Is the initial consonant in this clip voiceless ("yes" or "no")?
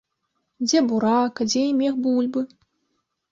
no